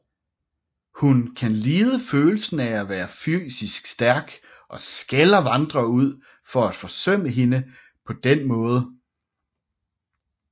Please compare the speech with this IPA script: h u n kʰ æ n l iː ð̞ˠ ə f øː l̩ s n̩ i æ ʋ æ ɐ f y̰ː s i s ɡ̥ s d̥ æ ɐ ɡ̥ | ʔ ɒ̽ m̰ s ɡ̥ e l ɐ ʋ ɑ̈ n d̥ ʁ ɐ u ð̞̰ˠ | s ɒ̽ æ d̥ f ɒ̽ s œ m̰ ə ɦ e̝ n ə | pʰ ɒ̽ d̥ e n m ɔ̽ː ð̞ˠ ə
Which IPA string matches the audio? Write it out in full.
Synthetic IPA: h u n kʰ æ n l iː ð̞ˠ ə f øː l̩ s n̩ æ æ ʋ æː ɐ f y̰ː s i s ɡ̥ s d̥ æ ɐ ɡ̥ | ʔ ɒ̽ s ɡ̥ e l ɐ ʋ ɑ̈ n d̥ ʁ ɐ u ð̞̰ˠ | f ɒ̽ æ d̥ f ɒ̽ s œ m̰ ə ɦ e̝ n ə | pʰ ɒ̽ d̥ e n m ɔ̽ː ð̞ˠ ə